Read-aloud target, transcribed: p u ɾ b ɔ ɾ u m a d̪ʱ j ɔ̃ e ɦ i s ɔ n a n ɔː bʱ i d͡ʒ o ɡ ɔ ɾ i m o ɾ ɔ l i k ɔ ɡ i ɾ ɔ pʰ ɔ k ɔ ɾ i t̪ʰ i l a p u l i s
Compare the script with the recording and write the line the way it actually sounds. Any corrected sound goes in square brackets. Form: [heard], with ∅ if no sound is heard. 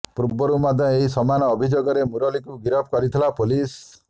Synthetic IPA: p u ɾ b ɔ ɾ u m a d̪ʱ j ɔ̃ e ɦ i s ɔ [m] a n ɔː bʱ i d͡ʒ o ɡ ɔ ɾ [e] m [u] ɾ ɔ l i k [u] ɡ i ɾ ɔ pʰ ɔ k ɔ ɾ i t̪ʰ i l a p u l i s

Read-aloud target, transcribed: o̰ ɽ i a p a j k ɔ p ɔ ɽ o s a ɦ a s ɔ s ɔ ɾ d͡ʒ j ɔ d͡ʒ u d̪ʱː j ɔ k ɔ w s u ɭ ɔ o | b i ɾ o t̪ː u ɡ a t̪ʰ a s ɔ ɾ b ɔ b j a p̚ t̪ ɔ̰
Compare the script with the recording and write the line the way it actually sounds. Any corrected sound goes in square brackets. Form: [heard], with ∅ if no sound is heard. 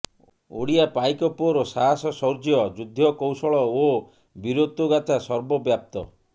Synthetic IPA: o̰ ɽ i a p a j k ɔ p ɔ [ɾ] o s a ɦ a s ɔ s ɔ ɾ d͡ʒ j ɔ d͡ʒ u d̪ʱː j ɔ k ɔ w s [ɔ] ɭ ɔ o | b i ɾ o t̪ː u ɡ a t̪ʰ a s ɔ ɾ b ɔ b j a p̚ t̪ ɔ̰

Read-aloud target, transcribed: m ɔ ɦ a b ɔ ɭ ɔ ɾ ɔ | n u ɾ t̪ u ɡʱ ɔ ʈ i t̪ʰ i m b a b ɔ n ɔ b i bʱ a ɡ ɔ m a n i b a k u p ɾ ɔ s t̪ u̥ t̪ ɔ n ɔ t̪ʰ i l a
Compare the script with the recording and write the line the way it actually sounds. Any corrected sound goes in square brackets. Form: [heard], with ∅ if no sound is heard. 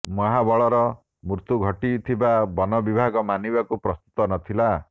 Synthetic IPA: m ɔ ɦ a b ɔ ɭ ɔ ɾ ɔ | [m] u ɾ t̪ u ɡʱ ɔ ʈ i t̪ʰ i [∅] b a b ɔ n ɔ b i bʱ a ɡ ɔ m a n i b a k u p ɾ ɔ s t̪ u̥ t̪ ɔ n ɔ t̪ʰ i l a

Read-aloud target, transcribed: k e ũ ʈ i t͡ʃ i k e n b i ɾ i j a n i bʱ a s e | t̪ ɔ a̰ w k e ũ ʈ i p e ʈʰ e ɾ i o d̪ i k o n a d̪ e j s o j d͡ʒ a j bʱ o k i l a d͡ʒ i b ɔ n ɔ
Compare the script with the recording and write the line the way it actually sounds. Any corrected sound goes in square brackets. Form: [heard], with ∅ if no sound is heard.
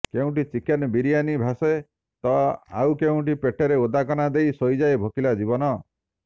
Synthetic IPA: k e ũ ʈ i t͡ʃ i k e n b i ɾ i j a n i bʱ a s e | t̪ ɔ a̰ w k e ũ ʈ i p e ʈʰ e ɾ [e] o d̪ [a] k [ɔ] n a d̪ e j s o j d͡ʒ a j bʱ o k i l a d͡ʒ i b ɔ n ɔ

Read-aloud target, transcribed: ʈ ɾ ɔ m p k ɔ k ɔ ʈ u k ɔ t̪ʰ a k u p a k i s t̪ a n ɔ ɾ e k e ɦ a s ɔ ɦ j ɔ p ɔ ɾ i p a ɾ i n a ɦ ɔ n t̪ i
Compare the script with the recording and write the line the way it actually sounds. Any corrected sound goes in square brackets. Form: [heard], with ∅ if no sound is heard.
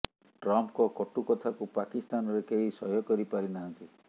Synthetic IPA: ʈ ɾ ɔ m p k ɔ k ɔ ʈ u k ɔ t̪ʰ a k u p a k i s t̪ a n ɔ ɾ e k e ɦ [i] s ɔ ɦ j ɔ [k] ɔ ɾ i p a ɾ i n a ɦ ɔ n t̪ i

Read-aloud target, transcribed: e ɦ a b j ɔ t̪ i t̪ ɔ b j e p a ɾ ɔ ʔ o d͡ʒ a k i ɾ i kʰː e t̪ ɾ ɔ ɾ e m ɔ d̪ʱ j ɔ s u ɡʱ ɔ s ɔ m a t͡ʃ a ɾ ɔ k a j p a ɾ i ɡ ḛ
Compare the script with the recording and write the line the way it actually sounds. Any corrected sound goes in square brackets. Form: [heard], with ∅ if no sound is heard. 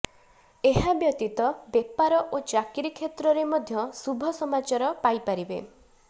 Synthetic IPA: e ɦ a b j ɔ t̪ i t̪ ɔ b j e p a ɾ ɔ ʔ o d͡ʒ a k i ɾ i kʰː e t̪ ɾ ɔ ɾ e m ɔ d̪ʱ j ɔ s u [bʱ] ɔ s ɔ m a t͡ʃ a ɾ ɔ [p] a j p a ɾ i [b] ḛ

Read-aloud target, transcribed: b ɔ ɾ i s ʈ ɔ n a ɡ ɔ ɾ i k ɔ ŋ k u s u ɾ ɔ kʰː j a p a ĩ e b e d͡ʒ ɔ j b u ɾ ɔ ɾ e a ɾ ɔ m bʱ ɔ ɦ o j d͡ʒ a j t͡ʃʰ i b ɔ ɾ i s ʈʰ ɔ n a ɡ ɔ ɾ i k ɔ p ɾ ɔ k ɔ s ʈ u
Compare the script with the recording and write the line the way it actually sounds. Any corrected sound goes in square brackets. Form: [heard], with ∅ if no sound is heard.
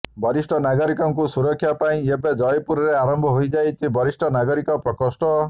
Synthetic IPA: b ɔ ɾ i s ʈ ɔ n a ɡ ɔ ɾ i k ɔ ŋ k u s u ɾ ɔ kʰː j a p a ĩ e b e d͡ʒ ɔ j [p] u ɾ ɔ ɾ e a ɾ ɔ m bʱ ɔ ɦ o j d͡ʒ a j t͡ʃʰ i b ɔ ɾ i s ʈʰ ɔ n a ɡ ɔ ɾ i k ɔ p ɾ ɔ k ɔ s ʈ [ɔ]

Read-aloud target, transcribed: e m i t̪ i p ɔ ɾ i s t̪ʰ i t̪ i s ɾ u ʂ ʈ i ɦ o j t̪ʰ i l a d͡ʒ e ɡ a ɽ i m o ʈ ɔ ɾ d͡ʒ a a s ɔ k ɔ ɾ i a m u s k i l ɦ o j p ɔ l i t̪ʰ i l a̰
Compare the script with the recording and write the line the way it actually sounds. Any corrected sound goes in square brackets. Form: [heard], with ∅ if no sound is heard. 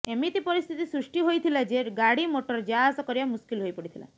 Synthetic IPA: e m i t̪ i p ɔ ɾ i s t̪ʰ i t̪ i s ɾ u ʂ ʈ i ɦ o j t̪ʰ i l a d͡ʒ e ɡ a ɽ i m o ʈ ɔ ɾ d͡ʒ a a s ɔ k ɔ ɾ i a m u s k i l ɦ o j p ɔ [ɽ] i t̪ʰ i l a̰

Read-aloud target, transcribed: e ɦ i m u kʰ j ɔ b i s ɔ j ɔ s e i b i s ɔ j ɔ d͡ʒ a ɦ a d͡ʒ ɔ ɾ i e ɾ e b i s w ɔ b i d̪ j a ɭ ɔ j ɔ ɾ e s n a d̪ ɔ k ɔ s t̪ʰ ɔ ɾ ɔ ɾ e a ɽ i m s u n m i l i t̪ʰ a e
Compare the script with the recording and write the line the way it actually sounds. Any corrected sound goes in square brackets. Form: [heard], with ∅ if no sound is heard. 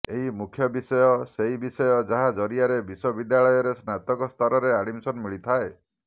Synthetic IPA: e ɦ i m u kʰ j ɔ b i s ɔ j ɔ s e i b i s ɔ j ɔ d͡ʒ a ɦ a d͡ʒ ɔ ɾ i [a] ɾ e b i s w ɔ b i d̪ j a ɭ ɔ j ɔ ɾ e s n a [t̪] ɔ k ɔ s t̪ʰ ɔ ɾ ɔ ɾ e a ɽ i m s [ɔ] n m i [ɭ] i t̪ʰ a e

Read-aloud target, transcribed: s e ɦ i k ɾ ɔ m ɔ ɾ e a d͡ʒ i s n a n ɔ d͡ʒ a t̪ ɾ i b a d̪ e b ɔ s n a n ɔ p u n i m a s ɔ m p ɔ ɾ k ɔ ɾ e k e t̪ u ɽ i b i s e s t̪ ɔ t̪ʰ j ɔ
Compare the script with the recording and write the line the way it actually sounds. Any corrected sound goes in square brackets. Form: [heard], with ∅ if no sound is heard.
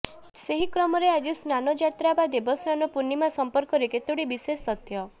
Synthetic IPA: s e ɦ i k ɾ ɔ m ɔ ɾ e a d͡ʒ i s n a n ɔ d͡ʒ a t̪ ɾ [a] b a d̪ e b ɔ s n a n ɔ p u n i m a s ɔ m p ɔ ɾ k ɔ ɾ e k e t̪ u ɽ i b i s e s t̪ ɔ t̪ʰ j ɔ

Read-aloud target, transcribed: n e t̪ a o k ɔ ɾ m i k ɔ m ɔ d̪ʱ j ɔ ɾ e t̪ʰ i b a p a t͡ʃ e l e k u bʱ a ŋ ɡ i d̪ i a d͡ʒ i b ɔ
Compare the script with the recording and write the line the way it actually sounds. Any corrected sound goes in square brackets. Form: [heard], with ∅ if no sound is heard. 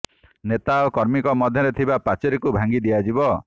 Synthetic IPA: n e t̪ a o k ɔ ɾ m i k ɔ m ɔ d̪ʱ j ɔ ɾ e t̪ʰ i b a p a t͡ʃ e [ɾ] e k u bʱ a ŋ ɡ i d̪ i a d͡ʒ i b ɔ

